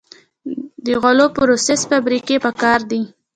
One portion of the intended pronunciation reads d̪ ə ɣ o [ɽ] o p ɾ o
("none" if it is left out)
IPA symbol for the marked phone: l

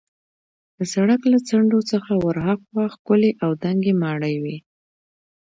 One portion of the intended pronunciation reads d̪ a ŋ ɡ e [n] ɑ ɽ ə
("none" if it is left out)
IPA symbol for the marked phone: m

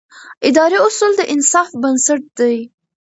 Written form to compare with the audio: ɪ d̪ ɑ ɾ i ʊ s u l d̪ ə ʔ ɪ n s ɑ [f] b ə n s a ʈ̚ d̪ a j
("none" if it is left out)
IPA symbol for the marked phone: f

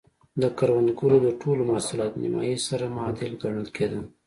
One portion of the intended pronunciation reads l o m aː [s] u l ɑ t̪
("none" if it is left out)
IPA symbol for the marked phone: s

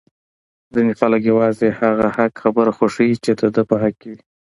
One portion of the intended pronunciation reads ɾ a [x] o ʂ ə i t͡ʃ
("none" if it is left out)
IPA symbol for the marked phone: x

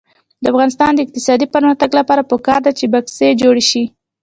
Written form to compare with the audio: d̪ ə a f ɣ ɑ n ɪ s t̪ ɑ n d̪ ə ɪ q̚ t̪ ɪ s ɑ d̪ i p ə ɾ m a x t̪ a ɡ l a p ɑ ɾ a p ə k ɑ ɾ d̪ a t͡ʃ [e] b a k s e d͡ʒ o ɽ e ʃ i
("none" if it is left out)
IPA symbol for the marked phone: e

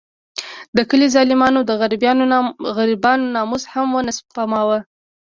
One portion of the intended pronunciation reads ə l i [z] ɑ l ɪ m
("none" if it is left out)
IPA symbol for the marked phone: z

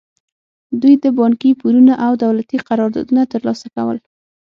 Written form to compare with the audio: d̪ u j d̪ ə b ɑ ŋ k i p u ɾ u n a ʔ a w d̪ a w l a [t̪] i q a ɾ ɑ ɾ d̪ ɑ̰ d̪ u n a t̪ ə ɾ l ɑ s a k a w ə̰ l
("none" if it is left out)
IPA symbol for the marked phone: t̪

